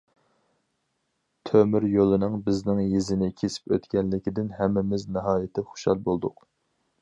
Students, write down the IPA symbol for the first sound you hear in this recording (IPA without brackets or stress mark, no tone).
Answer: t̪ʰ